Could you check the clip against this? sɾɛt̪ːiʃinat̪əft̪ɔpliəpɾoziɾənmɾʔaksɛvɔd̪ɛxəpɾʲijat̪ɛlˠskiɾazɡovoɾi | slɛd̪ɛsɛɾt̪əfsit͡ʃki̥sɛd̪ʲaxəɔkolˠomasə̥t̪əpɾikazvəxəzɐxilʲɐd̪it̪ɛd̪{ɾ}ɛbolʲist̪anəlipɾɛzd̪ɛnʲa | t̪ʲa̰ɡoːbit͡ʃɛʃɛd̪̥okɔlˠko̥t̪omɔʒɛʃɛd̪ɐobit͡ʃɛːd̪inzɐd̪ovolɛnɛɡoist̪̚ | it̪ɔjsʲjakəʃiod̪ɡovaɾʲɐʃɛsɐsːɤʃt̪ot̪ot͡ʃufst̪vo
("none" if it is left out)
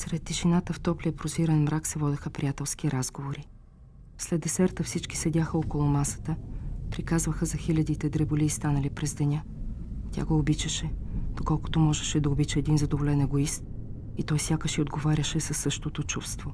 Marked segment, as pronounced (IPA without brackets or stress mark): ɾ